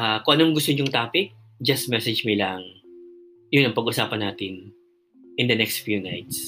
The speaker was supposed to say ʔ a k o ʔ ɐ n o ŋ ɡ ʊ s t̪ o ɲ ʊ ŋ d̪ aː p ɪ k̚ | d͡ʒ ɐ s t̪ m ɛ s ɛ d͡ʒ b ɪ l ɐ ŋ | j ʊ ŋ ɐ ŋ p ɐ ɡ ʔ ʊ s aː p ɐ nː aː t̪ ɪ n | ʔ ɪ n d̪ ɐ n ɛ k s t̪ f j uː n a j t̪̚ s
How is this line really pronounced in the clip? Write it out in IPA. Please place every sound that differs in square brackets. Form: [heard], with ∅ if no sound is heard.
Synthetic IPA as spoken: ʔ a k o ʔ ɐ n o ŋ ɡ ʊ s t̪ o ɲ ʊ ŋ [t̪] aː p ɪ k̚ | d͡ʒ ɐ s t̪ m ɛ s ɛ d͡ʒ [m] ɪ l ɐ ŋ | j ʊ [n] ɐ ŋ p ɐ ɡ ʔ ʊ s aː p ɐ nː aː t̪ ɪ n | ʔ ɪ n d̪ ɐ n ɛ k s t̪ f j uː n a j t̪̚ s